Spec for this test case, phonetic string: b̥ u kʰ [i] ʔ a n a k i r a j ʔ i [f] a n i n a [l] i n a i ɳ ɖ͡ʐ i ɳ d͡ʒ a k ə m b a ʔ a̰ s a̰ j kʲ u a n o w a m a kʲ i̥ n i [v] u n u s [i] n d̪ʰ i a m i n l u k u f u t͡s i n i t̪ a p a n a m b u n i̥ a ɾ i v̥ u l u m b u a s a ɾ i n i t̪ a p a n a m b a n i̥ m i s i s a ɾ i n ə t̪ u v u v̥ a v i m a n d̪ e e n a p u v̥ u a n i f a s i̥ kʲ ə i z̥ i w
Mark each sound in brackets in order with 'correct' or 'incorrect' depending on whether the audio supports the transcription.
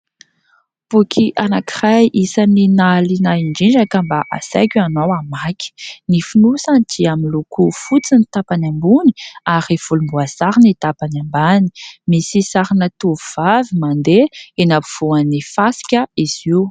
correct, incorrect: s, correct, incorrect: f, incorrect: a

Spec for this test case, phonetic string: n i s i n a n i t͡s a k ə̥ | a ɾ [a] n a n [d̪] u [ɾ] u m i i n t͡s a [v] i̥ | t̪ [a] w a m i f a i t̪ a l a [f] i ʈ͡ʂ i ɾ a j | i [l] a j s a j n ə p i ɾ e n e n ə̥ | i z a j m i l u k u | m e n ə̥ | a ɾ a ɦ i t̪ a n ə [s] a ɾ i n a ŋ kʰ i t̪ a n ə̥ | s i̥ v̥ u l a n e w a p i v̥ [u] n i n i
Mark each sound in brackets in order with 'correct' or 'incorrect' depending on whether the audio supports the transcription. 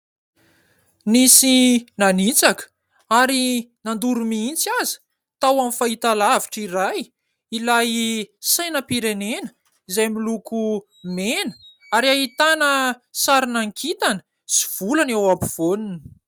incorrect: i, correct, correct, incorrect: z, correct, incorrect: v, correct, correct, incorrect: o

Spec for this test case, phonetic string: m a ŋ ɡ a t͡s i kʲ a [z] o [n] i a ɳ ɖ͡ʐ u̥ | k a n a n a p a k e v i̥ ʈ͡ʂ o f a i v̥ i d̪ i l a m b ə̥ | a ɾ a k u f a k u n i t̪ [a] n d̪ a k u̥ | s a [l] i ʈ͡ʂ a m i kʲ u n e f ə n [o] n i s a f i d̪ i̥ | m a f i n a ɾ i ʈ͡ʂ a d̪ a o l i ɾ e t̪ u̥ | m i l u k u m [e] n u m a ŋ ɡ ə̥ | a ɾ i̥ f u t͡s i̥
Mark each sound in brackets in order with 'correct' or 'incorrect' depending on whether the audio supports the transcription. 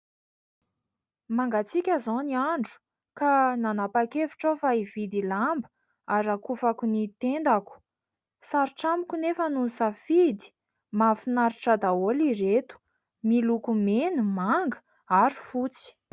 correct, correct, incorrect: e, incorrect: ɾ, incorrect: u, correct

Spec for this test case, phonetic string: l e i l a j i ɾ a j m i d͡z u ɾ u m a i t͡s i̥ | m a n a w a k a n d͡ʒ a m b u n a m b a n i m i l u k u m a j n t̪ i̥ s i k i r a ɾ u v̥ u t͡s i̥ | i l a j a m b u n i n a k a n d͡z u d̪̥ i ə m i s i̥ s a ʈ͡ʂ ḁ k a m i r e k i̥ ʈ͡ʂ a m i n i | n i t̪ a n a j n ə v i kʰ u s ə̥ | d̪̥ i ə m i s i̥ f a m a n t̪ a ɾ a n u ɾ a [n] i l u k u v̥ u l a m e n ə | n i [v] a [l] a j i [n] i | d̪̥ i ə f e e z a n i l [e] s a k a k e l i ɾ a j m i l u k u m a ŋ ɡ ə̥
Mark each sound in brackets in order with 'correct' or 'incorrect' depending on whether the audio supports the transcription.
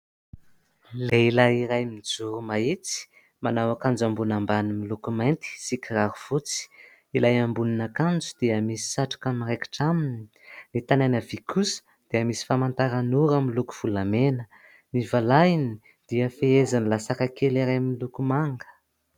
incorrect: m, correct, correct, correct, incorrect: a

